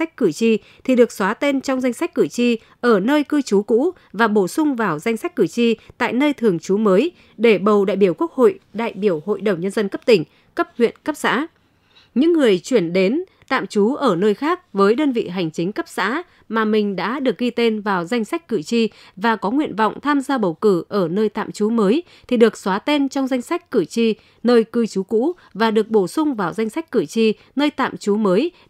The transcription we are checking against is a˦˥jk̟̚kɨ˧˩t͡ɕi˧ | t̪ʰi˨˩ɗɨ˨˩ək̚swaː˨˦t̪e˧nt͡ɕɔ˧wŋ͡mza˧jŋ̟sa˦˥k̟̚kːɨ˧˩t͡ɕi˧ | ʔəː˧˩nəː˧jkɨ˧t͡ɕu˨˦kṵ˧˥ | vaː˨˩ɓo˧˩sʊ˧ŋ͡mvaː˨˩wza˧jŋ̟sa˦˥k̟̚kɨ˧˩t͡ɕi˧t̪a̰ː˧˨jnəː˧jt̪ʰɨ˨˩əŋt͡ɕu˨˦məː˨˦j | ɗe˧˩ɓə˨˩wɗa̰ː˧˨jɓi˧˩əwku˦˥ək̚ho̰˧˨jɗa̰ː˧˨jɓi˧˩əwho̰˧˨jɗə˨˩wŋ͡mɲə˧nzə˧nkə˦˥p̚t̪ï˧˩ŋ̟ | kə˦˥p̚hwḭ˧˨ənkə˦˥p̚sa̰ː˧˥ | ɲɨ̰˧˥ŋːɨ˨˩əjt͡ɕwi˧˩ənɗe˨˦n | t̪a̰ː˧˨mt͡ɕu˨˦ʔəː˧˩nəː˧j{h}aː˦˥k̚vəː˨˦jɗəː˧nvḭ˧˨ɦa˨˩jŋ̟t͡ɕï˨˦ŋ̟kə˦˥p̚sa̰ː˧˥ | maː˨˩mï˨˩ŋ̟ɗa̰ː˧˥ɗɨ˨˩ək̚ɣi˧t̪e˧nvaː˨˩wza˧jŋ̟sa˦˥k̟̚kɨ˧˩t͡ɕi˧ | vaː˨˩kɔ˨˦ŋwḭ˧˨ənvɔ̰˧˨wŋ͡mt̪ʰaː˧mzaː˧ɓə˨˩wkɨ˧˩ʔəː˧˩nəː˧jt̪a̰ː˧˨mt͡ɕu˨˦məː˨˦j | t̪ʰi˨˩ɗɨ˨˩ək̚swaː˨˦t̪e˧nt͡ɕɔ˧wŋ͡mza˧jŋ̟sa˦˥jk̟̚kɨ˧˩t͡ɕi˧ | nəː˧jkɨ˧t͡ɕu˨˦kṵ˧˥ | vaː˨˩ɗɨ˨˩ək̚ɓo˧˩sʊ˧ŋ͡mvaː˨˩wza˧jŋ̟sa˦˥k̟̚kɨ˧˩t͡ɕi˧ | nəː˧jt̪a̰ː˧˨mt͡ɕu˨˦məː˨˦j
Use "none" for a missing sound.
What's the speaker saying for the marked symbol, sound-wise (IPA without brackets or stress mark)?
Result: x